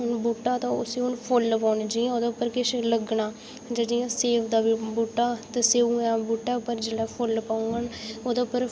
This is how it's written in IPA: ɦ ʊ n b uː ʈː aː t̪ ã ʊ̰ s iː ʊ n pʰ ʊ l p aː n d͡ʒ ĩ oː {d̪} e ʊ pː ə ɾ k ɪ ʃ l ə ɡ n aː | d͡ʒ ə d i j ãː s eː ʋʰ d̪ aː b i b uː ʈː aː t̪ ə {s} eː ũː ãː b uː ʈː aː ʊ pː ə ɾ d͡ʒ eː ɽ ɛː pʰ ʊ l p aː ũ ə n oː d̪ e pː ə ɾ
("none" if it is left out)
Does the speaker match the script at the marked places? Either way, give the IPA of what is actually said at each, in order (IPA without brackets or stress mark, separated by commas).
d̪, s